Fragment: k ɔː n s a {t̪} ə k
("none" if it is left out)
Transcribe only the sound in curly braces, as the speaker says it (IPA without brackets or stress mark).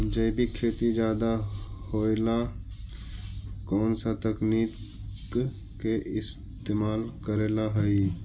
t̪